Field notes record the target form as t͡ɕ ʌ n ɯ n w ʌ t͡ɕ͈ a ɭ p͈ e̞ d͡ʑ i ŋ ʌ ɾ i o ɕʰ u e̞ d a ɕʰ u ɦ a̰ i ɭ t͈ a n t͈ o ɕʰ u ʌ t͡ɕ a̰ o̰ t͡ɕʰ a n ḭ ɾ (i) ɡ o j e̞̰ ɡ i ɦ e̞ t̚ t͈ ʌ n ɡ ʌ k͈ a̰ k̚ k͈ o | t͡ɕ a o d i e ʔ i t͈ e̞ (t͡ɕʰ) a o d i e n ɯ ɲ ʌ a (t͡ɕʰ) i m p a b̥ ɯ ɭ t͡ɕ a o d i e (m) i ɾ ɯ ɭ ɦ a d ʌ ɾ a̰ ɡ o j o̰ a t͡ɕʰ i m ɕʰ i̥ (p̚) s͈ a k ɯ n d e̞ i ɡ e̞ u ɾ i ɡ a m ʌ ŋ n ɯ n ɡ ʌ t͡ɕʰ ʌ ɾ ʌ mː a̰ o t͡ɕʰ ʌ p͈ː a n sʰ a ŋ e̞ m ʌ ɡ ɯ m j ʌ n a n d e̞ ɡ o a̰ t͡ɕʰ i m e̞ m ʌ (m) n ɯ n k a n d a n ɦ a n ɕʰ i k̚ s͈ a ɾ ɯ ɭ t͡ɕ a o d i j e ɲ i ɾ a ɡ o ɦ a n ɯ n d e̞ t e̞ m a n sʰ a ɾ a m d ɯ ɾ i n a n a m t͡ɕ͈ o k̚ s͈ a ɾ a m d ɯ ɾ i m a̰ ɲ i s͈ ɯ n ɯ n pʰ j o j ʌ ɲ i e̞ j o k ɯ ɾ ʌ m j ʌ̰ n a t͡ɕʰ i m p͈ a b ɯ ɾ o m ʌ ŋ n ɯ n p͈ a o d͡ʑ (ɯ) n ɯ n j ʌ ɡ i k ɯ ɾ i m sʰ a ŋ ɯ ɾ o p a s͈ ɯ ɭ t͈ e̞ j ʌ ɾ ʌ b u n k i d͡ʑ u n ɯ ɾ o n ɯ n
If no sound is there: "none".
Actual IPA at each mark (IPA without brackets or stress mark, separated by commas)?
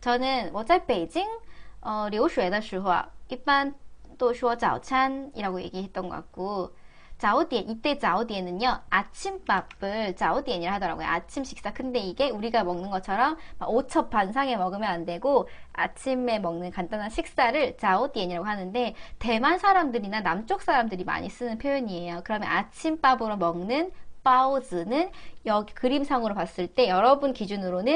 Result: a, t͡ɕ, t͡ɕʰ, ɲ, k̚, ŋ, ɯ